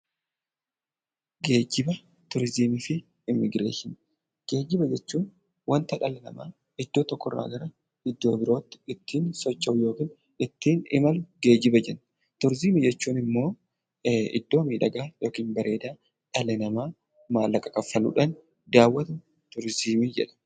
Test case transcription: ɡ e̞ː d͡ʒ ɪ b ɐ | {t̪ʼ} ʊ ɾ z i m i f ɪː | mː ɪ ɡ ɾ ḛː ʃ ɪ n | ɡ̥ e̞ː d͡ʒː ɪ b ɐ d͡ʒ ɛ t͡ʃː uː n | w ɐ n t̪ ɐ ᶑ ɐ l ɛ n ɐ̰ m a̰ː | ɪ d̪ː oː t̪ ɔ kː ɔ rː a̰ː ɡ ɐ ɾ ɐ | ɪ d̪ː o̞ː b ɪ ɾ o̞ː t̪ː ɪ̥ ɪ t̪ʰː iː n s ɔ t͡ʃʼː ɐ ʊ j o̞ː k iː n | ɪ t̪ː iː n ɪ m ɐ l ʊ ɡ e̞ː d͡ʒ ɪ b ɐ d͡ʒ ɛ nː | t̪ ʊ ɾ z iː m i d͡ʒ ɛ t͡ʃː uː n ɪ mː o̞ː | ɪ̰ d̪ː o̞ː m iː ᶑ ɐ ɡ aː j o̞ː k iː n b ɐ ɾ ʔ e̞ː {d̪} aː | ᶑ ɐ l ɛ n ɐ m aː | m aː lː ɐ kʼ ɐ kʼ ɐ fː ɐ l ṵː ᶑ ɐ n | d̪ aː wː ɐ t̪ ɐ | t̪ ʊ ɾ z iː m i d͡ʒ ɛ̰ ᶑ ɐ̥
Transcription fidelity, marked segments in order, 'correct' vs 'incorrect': incorrect: t̪, correct

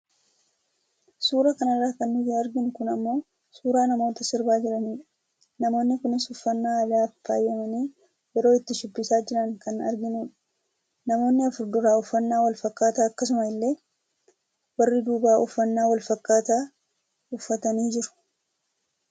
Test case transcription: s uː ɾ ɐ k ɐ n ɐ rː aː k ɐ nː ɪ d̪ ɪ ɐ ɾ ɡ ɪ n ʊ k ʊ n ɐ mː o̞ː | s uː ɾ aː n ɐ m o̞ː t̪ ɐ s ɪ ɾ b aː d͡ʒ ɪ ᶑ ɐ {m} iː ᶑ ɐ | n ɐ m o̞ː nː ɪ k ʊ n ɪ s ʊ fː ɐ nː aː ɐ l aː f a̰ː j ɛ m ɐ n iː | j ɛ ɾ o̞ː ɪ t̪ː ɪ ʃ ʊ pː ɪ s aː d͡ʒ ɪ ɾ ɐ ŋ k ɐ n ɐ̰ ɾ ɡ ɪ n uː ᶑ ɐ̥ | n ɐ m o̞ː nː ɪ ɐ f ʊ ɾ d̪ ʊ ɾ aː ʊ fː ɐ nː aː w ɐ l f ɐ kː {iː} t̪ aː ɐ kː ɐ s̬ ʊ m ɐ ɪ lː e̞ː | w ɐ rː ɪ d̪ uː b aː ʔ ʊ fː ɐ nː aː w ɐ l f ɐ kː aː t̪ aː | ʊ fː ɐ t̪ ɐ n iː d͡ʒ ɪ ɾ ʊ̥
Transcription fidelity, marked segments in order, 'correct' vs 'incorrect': incorrect: n, incorrect: aː

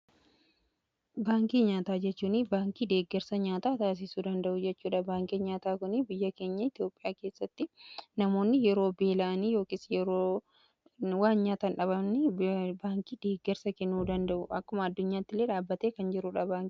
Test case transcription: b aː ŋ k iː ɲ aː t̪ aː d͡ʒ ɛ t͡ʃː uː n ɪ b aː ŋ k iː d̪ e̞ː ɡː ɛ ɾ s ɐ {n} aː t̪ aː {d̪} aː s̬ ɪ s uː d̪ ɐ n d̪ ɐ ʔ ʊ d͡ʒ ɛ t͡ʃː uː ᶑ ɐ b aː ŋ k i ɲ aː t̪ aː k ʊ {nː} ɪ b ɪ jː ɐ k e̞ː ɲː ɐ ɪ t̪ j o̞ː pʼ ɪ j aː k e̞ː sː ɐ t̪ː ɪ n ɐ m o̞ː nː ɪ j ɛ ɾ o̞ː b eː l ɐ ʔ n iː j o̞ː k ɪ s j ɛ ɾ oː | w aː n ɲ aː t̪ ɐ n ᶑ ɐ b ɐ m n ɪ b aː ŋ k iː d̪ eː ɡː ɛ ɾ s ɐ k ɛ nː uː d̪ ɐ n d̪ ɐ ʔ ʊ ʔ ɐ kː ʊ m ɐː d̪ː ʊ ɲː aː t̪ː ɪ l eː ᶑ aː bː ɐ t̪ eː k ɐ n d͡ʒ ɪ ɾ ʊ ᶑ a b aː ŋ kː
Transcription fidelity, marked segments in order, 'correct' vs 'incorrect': incorrect: ɲ, incorrect: t̪, incorrect: n

